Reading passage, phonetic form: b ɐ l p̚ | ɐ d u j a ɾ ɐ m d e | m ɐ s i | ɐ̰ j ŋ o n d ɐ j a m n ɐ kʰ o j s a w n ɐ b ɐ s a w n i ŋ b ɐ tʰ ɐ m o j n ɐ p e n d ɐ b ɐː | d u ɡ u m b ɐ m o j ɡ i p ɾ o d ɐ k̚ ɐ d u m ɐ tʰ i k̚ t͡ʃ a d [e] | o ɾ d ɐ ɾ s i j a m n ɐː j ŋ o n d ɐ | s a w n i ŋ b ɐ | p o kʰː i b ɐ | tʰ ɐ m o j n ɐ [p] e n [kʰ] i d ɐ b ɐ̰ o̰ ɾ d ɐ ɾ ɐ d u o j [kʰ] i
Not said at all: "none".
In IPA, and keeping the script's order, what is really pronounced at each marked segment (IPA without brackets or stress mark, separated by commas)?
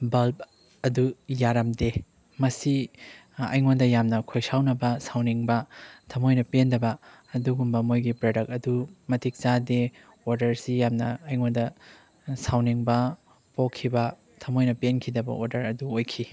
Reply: e, p, kʰ, kʰ